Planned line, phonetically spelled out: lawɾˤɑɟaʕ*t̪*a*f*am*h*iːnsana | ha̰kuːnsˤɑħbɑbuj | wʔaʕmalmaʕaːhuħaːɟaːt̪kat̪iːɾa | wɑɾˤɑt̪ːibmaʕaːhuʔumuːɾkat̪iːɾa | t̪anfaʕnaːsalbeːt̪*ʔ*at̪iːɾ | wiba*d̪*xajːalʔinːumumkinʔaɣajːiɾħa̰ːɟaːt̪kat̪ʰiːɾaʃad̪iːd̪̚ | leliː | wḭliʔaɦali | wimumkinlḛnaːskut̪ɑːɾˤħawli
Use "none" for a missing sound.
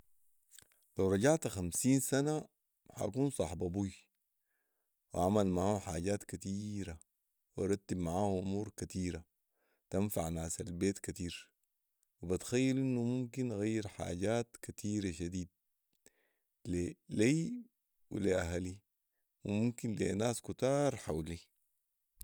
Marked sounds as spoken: t̪, x, s, k, t̪

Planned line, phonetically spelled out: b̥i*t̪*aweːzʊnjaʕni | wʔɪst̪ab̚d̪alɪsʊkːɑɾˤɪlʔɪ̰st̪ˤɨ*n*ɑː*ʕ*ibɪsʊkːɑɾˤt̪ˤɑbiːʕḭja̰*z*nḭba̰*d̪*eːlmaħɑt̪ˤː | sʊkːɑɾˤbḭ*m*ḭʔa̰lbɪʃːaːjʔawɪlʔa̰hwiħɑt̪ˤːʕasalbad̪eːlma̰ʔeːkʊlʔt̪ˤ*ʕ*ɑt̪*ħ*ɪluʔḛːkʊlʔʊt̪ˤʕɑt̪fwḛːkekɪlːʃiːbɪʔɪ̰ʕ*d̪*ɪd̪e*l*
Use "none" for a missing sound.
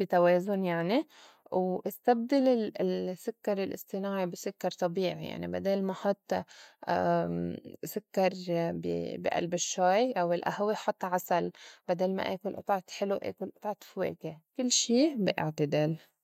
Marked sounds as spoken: t̪, n, ʕ, ʕ, d̪, b, ʕ, ħ, t̪, l

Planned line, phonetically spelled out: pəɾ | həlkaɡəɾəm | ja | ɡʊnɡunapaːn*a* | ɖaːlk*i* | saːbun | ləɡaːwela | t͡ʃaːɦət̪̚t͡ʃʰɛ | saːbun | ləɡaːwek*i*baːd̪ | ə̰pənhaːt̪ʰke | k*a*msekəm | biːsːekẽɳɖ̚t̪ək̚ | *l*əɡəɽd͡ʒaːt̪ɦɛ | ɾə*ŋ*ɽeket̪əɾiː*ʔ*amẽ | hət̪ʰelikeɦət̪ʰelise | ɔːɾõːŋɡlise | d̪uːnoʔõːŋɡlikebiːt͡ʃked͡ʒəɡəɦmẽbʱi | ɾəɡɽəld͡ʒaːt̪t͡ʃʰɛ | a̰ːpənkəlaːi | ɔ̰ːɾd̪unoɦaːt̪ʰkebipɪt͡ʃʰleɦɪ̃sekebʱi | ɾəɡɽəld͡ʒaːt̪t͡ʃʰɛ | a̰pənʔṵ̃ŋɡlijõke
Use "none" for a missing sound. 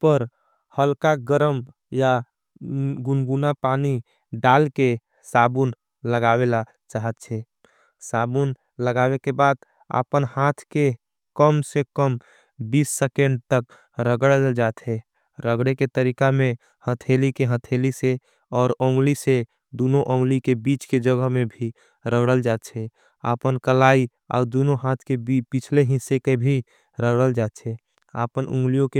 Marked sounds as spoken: i, e, e, ə, ɾ, ɡ, k

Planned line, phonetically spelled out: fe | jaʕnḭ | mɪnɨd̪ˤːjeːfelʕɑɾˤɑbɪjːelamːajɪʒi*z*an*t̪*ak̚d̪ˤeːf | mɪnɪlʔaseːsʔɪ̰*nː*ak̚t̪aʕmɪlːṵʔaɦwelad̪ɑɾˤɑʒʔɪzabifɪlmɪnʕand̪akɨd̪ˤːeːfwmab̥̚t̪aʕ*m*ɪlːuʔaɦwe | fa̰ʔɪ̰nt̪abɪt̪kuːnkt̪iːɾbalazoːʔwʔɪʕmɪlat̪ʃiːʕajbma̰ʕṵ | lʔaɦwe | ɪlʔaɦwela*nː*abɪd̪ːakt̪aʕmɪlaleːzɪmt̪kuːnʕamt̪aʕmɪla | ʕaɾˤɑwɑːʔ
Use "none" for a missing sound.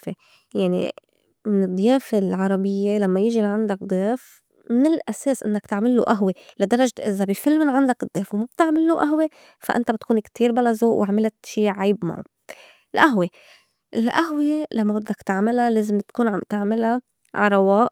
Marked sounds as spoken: ʕ, d̪, nː, m, mː

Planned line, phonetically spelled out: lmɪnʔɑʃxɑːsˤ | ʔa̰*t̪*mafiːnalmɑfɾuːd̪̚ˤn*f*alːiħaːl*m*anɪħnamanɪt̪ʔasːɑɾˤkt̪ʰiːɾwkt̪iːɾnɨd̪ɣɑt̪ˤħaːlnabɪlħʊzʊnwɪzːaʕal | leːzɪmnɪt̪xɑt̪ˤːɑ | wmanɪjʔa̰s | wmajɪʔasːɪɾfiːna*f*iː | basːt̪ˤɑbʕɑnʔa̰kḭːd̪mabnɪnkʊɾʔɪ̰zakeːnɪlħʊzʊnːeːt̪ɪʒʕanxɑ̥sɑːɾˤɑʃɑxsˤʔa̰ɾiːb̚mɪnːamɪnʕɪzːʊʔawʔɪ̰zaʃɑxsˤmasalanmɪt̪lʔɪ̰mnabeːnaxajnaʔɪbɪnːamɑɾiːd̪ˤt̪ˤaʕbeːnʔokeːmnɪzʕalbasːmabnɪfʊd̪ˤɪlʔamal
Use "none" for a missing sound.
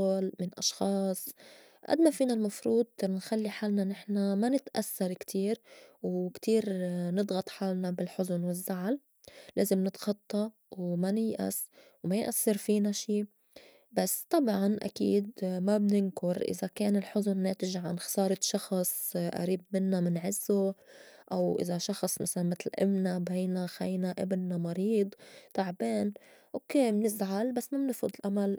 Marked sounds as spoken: d̪, x, n, ʃ

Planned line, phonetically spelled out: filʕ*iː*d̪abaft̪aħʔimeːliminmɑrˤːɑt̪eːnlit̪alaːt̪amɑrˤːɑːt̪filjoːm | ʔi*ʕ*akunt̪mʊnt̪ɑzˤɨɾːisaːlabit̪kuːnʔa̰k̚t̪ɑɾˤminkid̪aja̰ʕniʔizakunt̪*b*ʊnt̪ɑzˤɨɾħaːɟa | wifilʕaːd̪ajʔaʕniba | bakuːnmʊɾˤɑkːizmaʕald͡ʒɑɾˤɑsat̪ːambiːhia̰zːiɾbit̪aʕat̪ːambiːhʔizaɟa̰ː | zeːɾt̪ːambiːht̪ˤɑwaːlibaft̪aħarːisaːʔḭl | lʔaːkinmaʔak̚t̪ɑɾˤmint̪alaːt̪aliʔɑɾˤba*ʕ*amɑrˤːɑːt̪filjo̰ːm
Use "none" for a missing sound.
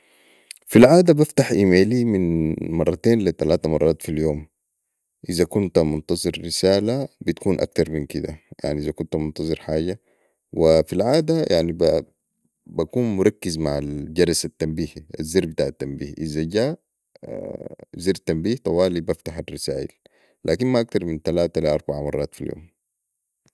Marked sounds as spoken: aː, z, m, ʕ

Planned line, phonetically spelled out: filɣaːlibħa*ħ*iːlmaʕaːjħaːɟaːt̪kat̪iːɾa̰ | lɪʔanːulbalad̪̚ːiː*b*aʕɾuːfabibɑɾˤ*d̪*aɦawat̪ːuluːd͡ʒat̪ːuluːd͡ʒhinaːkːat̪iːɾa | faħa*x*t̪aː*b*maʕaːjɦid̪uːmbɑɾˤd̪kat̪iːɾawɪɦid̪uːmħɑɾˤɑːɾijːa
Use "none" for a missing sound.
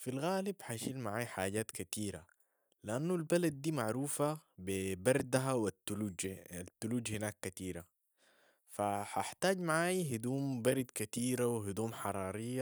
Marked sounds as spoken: ʃ, m, d̪, ħ, ɟ

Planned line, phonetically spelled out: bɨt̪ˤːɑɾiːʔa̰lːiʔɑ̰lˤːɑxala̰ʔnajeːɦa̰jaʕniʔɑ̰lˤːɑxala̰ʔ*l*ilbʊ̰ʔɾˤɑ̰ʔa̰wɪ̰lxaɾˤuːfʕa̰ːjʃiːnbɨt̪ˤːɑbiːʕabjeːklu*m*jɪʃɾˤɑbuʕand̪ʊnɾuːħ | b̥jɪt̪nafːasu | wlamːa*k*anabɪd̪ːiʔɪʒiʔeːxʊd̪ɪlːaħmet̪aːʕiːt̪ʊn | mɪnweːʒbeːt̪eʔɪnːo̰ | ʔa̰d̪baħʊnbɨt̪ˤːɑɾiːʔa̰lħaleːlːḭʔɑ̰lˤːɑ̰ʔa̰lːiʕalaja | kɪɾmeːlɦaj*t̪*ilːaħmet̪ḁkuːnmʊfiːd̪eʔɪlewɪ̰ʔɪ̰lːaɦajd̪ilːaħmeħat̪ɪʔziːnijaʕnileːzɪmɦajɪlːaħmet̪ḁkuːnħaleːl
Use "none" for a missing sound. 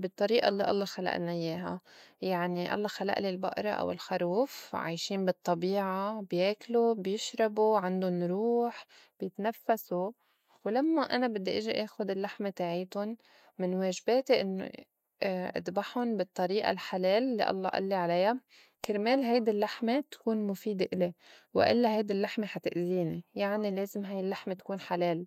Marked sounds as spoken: l, b, ʔ, d̪

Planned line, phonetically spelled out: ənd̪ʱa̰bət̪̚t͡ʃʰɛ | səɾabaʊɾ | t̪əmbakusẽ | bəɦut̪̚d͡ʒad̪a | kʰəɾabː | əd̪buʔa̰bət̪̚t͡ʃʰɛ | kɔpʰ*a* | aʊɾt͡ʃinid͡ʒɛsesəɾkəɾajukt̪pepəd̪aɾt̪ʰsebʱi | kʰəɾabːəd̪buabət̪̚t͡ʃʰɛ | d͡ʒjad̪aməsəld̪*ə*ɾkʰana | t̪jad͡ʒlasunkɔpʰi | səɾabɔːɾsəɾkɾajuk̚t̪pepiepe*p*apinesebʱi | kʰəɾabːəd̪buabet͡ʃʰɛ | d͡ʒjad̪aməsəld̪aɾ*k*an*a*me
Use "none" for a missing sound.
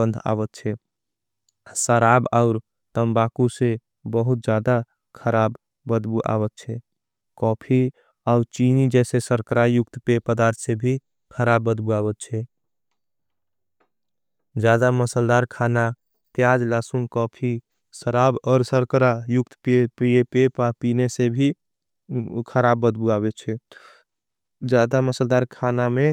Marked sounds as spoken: i, a, p, kʰ, a

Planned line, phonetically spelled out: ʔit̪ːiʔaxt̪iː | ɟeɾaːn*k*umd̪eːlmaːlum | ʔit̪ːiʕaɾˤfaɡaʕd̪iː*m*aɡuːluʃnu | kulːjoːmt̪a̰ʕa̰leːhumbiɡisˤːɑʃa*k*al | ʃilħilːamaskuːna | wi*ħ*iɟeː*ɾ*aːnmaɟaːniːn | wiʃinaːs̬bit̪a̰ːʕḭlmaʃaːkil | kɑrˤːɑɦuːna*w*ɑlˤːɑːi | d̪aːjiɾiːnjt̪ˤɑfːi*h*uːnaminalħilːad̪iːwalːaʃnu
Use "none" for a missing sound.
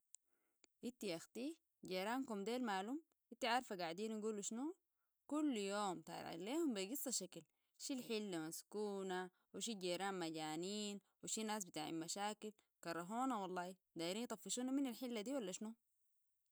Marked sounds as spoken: k, n, k, ʃ, ɾ, w, ʃ

